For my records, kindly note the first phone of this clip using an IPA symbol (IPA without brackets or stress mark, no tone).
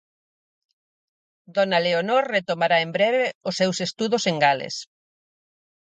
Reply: d̪